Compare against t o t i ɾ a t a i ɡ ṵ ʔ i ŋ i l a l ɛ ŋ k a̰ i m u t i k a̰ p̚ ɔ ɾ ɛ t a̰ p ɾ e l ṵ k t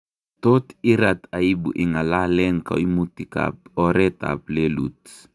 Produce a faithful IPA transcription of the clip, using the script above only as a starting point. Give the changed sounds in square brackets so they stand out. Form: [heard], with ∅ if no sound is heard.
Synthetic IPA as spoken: t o t i ɾ a t a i [b] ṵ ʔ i ŋ [a] l a l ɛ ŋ k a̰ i m u t i k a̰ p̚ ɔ ɾ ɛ t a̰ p [l] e l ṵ [∅] t